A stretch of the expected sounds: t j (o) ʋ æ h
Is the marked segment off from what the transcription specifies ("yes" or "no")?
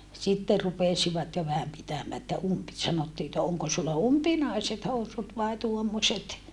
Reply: no